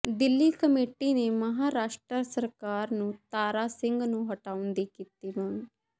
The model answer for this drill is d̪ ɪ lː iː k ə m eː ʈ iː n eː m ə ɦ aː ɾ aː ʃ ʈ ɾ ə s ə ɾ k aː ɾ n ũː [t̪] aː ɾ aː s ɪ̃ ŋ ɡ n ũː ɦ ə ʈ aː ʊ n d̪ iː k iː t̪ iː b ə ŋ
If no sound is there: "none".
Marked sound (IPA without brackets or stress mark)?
t̪